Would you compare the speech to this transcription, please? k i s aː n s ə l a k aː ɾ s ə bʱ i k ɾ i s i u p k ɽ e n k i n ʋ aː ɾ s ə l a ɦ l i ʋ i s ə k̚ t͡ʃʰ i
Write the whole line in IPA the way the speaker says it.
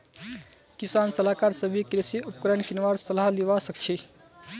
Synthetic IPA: k i s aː n s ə l a k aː ɾ s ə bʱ i k ɾ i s i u p k ɾ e n k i n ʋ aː ɾ s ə l a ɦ l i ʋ a s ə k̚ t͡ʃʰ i